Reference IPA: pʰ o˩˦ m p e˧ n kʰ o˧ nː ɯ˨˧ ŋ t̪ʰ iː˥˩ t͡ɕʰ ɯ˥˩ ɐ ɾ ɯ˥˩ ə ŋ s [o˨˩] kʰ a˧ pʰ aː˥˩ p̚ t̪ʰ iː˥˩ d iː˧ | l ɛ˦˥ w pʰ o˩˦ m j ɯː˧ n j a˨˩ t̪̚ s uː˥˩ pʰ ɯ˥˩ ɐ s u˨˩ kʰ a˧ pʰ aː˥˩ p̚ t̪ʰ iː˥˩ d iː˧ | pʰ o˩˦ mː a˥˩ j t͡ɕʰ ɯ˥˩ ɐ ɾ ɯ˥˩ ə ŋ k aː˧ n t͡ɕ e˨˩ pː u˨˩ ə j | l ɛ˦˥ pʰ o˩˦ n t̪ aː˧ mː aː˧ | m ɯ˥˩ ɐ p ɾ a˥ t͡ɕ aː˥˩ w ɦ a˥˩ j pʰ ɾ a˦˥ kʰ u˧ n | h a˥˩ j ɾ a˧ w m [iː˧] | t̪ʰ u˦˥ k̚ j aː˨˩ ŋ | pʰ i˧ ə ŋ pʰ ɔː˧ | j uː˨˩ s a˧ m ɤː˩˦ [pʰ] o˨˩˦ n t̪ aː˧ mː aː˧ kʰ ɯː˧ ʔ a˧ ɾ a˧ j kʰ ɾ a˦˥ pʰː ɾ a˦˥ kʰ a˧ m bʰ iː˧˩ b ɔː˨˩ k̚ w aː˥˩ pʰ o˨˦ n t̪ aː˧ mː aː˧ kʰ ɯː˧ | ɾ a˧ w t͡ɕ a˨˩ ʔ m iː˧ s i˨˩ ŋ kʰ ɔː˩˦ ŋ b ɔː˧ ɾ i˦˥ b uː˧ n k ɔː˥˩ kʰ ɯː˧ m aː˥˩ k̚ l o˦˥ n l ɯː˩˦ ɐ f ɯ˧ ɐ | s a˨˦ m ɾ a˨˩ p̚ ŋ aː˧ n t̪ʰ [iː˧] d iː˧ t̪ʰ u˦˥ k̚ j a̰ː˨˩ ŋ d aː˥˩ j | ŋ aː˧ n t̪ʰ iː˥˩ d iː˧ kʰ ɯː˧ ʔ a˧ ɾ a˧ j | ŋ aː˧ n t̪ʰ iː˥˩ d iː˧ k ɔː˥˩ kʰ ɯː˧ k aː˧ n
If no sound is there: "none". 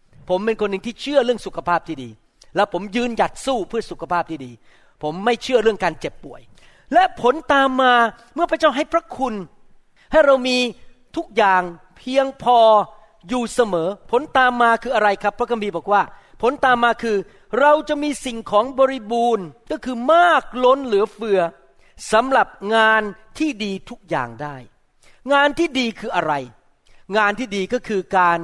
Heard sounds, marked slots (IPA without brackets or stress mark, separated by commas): u˨˩, iː˧, pʰ, iː˥˩